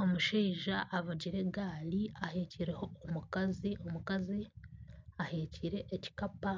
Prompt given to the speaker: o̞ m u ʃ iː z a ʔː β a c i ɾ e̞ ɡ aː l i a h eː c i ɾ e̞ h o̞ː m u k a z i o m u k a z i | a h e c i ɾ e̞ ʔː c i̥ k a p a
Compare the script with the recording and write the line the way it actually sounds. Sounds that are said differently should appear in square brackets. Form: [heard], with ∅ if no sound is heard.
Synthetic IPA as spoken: o̞ m u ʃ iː [ʒ] a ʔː β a [ɟ] i ɾ e̞ ɡ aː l i a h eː c i ɾ e̞ h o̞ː m u k a z i o m u k a z i | a h e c i ɾ e̞ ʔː c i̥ k a p a